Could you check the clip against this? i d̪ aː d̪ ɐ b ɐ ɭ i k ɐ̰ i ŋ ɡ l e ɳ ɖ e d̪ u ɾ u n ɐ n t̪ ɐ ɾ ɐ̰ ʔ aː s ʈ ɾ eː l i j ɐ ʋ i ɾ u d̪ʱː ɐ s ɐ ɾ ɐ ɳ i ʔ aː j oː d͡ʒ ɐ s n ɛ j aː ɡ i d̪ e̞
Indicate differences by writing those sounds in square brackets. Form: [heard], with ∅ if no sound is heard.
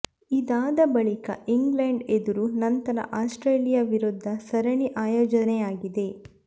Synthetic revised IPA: i d̪ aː d̪ ɐ b ɐ ɭ i k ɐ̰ i ŋ ɡ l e ɳ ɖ e d̪ u ɾ u n ɐ n t̪ ɐ ɾ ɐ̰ ʔ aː s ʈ ɾ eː l i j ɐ ʋ i ɾ u d̪ʱː ɐ s ɐ ɾ ɐ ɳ i ʔ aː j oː d͡ʒ ɐ [∅] n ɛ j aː ɡ i d̪ e̞